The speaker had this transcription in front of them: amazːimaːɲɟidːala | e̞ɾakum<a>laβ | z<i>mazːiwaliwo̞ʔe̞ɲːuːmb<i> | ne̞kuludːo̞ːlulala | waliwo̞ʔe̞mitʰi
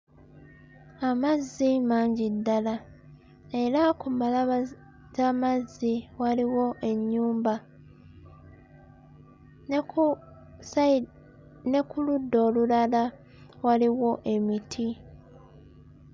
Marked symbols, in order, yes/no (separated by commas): yes, no, no